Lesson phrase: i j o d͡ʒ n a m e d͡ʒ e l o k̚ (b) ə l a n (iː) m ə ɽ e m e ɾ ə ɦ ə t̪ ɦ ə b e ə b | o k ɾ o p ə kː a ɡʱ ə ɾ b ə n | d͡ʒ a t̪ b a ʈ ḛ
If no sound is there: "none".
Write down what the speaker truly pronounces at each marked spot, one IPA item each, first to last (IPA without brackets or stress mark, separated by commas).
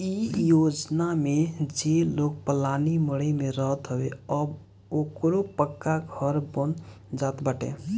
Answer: p, i